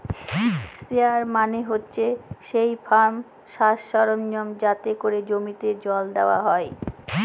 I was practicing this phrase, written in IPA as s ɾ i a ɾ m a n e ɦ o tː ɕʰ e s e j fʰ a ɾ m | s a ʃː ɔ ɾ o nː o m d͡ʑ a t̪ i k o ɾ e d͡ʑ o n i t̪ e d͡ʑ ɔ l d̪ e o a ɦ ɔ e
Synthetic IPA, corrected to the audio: s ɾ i a ɾ m a n e ɦ o tː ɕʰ e ʃ e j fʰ a ɾ m | ʃ a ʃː ɔ ɾ o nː o m d͡ʑ a t̪ e k o ɾ e d͡ʑ o m i t̪ e d͡ʑ ɔ l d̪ e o a ɦ ɔ e

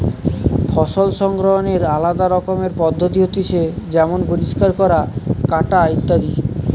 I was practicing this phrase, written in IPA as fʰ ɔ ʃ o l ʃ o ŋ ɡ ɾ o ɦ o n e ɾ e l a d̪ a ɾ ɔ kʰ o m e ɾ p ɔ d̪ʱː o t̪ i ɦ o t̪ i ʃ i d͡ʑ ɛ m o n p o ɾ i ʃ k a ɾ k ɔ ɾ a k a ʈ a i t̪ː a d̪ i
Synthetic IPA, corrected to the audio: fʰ ɔ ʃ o l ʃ ɔ ŋ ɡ ɾ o ɦ o n e ɾ a l a d̪ a ɾ ɔ k o m e ɾ p ɔ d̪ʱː o t̪ i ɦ o t̪ i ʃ e d͡ʑ ɛ m o n p o ɾ i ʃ k a ɾ k ɔ ɾ a k a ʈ a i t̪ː a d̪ i

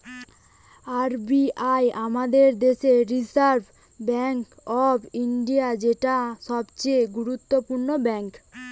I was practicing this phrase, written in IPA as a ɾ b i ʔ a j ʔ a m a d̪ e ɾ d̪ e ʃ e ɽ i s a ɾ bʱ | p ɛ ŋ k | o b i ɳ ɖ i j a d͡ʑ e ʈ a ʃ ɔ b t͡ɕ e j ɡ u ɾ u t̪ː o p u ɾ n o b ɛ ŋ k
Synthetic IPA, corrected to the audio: a ɾ b i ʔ a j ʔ a m a d̪ e ɾ d̪ e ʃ e ɾ i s a ɾ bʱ | b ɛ ŋ k | ɔ b i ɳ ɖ i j a d͡ʑ e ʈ a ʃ ɔ b t͡ɕ e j ɡ u ɾ u t̪ː o p u ɾ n o b ɛ ŋ k

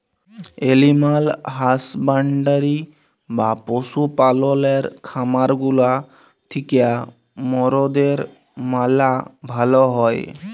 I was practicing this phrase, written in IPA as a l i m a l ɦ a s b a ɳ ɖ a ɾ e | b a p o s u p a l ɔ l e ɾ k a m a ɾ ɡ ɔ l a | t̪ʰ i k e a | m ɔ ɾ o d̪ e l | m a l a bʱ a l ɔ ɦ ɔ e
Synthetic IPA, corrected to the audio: e l i m a l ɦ a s b a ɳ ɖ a ɾ i | b a p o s u p a l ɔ l e ɾ kʰ a m a ɾ ɡ u l a | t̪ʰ i k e a | m ɔ ɾ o d̪ e ɾ | m a l a bʱ a l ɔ ɦ ɔ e

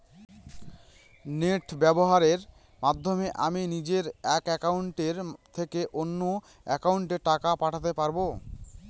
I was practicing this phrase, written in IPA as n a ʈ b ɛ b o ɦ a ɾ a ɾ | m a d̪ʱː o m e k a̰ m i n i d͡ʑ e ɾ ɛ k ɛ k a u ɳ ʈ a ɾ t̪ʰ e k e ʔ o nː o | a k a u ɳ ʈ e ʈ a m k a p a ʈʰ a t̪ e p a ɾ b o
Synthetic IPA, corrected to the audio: n e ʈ b ɛ b o ɦ a ɾ e ɾ | m a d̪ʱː o m e ʔ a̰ m i n i d͡ʑ e ɾ ɛ k ɛ k a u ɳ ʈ e ɾ t̪ʰ e k e ʔ o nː o | ɛ k a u ɳ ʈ e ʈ a k a p a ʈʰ a t̪ e p a ɾ b o

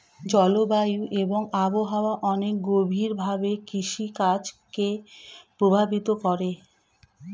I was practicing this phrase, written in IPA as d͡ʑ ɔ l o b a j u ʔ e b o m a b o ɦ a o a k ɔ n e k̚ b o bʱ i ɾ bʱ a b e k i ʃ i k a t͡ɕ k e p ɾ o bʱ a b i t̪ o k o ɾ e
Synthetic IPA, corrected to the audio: d͡ʑ ɔ l o b a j u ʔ e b o ŋ a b o ɦ a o a ʔ ɔ n e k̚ ɡ o bʱ i ɾ bʱ a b e k i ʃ i k a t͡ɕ k e p ɾ o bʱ a b i t̪ o k ɔ ɾ e

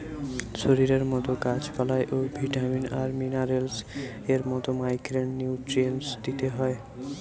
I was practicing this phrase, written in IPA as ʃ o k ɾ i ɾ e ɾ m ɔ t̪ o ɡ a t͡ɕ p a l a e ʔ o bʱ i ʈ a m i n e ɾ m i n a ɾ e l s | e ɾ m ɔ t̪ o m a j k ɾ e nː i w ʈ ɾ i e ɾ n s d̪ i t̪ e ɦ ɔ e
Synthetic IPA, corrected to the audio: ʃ o ɾ i ɾ e ɾ m ɔ t̪ o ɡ a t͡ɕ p a l a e ʔ o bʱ i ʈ a m i n a ɾ m i n a ɾ e l s | e ɾ m ɔ t̪ o m a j k ɾ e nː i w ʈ ɾ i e n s d̪ i t̪ e ɦ ɔ e

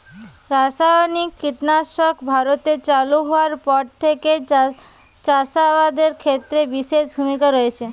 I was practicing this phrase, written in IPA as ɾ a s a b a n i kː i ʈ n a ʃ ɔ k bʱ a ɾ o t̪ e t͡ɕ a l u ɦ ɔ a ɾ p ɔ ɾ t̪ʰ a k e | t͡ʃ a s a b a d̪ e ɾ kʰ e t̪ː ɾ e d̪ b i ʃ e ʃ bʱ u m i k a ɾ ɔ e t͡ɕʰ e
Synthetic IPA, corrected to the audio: ɾ a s a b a n i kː i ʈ n a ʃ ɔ k bʱ a ɾ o t̪ e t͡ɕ a l u ɦ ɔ a ɾ p ɔ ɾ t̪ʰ e k e | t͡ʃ a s a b a d̪ e ɾ kʰ e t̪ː ɾ e b i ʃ e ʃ bʱ u m i k a ɾ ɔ e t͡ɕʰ e

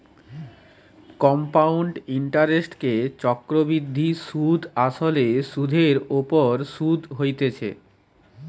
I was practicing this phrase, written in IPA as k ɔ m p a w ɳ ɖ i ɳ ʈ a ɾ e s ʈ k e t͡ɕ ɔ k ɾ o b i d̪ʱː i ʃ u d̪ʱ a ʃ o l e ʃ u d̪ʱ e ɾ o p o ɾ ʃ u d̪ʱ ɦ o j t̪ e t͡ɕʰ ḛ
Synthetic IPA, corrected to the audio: k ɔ m p a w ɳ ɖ i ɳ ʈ a ɾ e s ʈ k e t͡ɕ ɔ k ɾ o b i d̪ʱː i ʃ u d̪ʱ a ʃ o l e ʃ u d̪ʱ e ɾ o p o ɾ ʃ u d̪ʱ ɦ o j t̪ e t͡ɕʰ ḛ

